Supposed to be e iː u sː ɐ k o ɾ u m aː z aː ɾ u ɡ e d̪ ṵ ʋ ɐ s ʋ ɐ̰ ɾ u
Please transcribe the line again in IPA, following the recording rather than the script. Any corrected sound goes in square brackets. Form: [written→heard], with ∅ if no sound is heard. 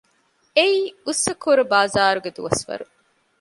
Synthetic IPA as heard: e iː u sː ɐ k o ɾ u [m→b] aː z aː ɾ u ɡ e d̪ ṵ ʋ ɐ s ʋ ɐ̰ ɾ u